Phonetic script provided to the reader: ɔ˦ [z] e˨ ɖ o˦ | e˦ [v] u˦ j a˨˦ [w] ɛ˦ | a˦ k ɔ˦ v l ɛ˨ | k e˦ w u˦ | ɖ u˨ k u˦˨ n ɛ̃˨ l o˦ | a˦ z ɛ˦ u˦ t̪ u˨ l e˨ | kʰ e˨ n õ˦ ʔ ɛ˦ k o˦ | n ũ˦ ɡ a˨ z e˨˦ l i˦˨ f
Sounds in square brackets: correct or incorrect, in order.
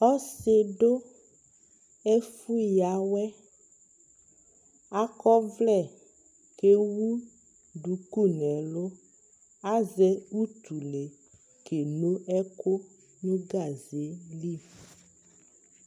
incorrect: s, incorrect: f, correct

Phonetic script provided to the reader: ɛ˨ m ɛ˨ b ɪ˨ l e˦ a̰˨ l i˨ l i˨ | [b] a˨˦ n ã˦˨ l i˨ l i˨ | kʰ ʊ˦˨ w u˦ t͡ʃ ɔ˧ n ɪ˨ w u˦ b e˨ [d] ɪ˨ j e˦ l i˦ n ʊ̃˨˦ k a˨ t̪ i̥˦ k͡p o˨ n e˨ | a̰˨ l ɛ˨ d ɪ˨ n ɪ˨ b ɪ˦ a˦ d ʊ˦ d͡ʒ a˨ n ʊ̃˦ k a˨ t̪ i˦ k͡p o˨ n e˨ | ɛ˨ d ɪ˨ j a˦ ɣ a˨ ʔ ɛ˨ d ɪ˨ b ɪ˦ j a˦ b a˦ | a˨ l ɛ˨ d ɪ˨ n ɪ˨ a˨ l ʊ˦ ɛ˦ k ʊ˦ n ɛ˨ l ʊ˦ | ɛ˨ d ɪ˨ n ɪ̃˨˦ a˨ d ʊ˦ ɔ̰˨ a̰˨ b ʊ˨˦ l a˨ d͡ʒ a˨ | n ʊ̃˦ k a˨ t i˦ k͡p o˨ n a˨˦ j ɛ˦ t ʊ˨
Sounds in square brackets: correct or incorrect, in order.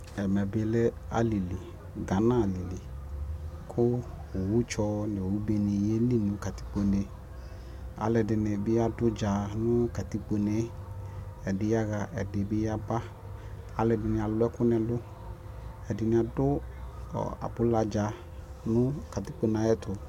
incorrect: ɡ, incorrect: n

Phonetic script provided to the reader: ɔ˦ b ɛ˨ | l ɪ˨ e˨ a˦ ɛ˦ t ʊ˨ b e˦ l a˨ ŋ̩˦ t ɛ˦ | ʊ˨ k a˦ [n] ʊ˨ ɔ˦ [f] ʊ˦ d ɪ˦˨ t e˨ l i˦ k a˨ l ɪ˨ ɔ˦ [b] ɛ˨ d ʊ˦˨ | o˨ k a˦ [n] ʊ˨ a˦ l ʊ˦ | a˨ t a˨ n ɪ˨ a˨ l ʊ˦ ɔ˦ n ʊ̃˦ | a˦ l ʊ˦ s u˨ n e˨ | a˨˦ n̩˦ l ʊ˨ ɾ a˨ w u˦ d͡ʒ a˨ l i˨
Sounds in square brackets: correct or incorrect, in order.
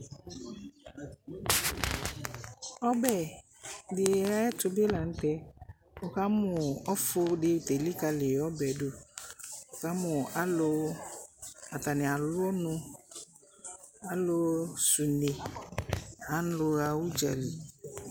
incorrect: m, correct, correct, incorrect: m

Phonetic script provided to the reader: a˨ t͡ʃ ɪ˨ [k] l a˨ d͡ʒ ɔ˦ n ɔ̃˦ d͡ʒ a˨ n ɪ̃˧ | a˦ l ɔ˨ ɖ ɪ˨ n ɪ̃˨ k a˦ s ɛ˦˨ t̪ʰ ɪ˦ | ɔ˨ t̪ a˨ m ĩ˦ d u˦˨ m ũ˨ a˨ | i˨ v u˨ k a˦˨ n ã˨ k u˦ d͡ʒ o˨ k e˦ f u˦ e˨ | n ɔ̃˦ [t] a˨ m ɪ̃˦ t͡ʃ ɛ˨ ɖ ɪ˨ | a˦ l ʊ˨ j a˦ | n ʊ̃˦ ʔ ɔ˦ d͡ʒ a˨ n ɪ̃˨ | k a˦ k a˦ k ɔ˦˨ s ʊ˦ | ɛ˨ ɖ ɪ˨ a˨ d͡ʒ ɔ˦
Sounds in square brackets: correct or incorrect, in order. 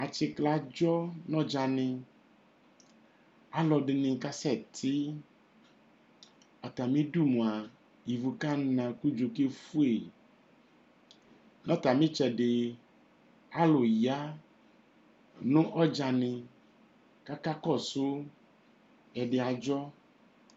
correct, correct

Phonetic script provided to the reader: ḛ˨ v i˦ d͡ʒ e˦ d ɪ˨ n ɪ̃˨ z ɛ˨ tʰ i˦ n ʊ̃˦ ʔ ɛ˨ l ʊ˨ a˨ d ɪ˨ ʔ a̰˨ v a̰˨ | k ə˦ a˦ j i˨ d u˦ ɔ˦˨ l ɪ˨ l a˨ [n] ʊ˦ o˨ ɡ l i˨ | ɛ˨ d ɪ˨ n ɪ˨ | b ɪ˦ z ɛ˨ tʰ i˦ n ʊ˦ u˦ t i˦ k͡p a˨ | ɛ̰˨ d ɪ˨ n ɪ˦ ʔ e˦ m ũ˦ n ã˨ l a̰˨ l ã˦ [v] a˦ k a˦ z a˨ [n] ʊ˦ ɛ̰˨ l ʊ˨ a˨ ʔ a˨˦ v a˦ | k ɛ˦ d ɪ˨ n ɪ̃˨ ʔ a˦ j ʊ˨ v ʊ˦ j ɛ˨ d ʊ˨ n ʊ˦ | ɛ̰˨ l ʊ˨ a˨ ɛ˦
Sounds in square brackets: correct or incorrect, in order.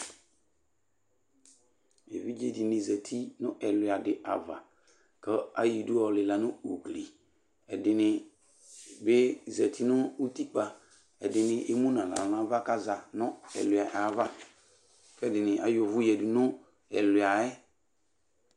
correct, correct, correct

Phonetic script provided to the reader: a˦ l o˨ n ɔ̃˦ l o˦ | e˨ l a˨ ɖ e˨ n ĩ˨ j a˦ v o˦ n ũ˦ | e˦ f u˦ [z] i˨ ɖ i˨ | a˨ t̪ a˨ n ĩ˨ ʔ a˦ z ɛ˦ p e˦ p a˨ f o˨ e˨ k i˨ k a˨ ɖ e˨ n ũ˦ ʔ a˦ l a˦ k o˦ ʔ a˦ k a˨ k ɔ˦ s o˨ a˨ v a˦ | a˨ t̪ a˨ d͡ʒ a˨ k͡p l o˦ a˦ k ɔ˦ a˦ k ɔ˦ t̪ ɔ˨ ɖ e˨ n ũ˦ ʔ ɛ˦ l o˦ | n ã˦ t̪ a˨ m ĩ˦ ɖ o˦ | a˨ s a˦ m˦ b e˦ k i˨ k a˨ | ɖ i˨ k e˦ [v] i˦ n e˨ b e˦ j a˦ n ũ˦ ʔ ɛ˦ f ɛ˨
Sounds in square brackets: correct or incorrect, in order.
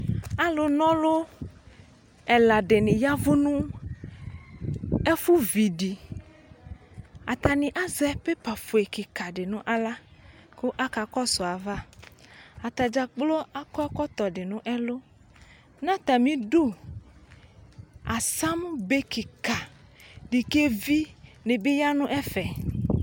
incorrect: v, correct

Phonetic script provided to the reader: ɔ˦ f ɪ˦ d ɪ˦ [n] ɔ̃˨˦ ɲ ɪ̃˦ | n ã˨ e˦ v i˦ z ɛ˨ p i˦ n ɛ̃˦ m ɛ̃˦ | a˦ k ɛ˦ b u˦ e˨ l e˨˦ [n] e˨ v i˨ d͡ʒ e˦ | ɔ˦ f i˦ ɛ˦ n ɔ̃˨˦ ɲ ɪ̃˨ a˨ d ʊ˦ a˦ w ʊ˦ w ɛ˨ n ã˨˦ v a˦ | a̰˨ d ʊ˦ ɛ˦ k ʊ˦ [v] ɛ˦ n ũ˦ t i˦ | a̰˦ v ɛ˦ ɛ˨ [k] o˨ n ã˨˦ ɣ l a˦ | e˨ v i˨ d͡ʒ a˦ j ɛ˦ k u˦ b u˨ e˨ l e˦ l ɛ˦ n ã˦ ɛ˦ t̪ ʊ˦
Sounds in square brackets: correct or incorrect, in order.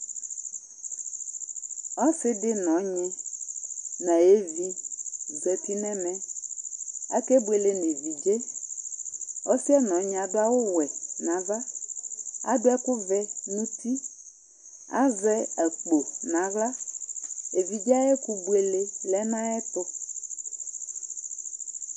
correct, correct, correct, incorrect: k͡p

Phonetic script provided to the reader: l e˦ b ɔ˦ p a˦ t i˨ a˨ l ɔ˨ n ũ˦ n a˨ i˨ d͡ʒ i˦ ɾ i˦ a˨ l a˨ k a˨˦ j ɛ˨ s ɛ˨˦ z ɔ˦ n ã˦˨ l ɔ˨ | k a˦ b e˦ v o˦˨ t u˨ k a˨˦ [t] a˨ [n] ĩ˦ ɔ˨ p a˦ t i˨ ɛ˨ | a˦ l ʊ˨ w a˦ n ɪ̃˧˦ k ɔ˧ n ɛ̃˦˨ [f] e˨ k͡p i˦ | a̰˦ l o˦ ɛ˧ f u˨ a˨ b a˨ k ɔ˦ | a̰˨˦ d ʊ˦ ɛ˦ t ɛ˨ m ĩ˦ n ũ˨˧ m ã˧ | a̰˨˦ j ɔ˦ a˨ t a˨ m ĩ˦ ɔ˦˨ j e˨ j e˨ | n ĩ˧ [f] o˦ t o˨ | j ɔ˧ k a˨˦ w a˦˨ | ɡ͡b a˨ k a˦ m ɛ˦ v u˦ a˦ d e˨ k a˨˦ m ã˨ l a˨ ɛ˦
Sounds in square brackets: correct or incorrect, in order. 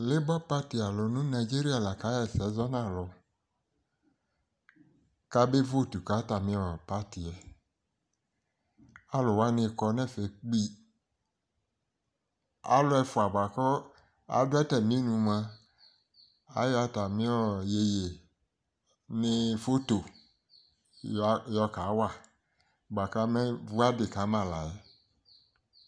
correct, incorrect: m, correct, correct

